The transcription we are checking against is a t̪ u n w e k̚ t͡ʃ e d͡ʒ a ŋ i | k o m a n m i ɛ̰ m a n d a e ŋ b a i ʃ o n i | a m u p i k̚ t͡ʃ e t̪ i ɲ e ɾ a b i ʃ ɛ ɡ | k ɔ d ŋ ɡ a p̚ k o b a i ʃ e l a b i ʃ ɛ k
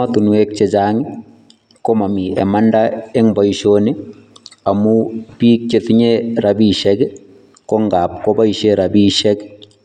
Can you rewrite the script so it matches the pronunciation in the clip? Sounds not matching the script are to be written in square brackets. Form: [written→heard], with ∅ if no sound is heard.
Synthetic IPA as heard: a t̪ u n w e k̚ t͡ʃ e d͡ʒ a ŋ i | k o m a [n→∅] m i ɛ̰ m a n d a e ŋ b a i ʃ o n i | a m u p i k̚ t͡ʃ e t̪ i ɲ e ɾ a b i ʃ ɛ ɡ | k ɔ [d→∅] ŋ ɡ a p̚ k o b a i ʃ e [l→ɾ] a b i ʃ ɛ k

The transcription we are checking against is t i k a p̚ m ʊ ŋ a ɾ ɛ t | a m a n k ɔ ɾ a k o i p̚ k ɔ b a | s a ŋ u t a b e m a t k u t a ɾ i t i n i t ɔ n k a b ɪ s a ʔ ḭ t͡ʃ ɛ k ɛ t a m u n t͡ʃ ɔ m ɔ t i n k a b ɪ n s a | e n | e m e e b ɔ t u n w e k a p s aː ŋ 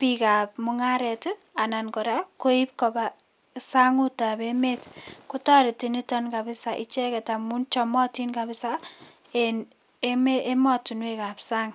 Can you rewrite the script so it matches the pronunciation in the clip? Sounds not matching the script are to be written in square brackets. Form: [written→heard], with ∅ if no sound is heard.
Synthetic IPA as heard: [t→p] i k a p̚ m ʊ ŋ a ɾ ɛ t | a [m→n] a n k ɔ ɾ a k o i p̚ k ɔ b a | s a ŋ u t a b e m [a→e] t k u t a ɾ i t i n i t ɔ n k a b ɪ s a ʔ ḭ t͡ʃ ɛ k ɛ t a m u n t͡ʃ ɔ m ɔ t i n k a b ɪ [n→∅] s a | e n | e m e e [b→m] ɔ t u n w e k a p s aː ŋ

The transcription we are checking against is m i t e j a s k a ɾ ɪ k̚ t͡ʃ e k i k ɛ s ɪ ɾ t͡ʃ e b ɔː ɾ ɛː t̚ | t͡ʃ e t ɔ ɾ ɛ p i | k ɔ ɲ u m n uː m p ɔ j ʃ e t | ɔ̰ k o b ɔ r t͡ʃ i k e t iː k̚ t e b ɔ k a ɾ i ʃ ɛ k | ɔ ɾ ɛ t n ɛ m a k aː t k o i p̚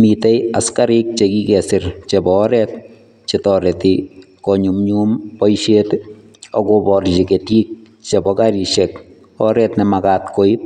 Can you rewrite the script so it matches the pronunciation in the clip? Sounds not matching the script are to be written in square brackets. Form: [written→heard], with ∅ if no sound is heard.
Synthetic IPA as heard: m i t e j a s k a ɾ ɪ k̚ t͡ʃ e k i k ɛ s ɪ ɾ t͡ʃ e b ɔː ɾ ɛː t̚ | t͡ʃ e t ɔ ɾ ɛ [p→t] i | k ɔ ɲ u m [n→ɲ] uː m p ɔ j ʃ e t | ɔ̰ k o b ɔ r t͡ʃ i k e t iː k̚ [t→t͡ʃ] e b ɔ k a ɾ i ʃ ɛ k | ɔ ɾ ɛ t n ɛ m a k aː t k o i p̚

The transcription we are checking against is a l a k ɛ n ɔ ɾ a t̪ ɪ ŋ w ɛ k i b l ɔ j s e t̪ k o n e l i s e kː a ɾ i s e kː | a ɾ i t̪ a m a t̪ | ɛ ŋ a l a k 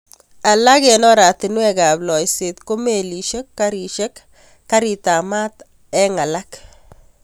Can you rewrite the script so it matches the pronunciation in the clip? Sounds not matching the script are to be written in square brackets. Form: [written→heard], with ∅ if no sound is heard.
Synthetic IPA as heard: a l a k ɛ n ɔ ɾ a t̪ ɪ [ŋ→n] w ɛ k [i→a] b l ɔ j s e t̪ k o [n→m] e l i [s→ʃ] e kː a ɾ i [s→ʃ] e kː | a ɾ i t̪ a m a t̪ | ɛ ŋ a l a k

